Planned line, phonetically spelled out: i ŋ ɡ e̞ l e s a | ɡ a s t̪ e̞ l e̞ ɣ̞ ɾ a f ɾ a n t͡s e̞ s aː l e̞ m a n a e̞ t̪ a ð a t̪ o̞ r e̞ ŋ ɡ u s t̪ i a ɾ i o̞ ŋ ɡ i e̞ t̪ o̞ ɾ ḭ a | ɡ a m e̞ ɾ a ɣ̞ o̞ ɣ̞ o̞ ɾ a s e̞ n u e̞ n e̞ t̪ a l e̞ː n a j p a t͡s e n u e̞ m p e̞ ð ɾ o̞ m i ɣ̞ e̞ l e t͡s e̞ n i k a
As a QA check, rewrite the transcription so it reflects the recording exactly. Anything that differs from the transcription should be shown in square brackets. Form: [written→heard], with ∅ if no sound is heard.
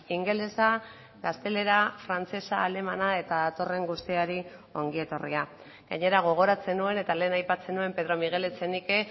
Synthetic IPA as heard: i ŋ ɡ e̞ l e s a | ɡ a s t̪ e̞ l e̞ [ɣ̞→∅] ɾ a f ɾ a n t͡s e̞ s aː l e̞ m a n a e̞ t̪ a ð a t̪ o̞ r e̞ ŋ ɡ u s t̪ i a ɾ i o̞ ŋ ɡ i e̞ t̪ o̞ [ɾ→r] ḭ a | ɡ a [m→ɲ] e̞ ɾ a ɣ̞ o̞ ɣ̞ o̞ ɾ a [s→t͡s] e̞ n u e̞ n e̞ t̪ a l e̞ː n a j p a t͡s e n u e̞ m p e̞ ð ɾ o̞ m i ɣ̞ e̞ l e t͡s e̞ n i k [a→e]